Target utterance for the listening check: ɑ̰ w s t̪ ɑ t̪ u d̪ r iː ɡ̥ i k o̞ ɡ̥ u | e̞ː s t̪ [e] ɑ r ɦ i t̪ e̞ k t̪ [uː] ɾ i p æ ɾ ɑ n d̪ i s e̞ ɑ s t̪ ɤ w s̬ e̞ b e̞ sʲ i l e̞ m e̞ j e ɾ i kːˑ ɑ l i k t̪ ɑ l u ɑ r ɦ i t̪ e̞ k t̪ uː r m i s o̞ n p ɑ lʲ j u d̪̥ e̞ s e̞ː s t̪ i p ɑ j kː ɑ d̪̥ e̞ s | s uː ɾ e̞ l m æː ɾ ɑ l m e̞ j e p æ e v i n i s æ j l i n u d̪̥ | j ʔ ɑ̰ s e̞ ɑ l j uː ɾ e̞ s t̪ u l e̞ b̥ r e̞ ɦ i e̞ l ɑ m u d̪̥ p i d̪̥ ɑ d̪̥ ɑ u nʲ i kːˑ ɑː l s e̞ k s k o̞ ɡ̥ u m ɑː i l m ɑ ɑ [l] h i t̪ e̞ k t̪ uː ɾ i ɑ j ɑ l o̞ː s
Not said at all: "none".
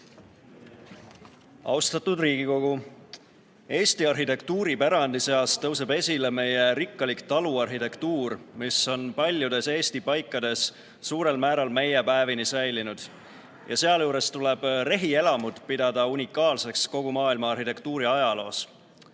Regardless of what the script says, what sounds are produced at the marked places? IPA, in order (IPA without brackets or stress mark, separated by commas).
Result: i, uː, r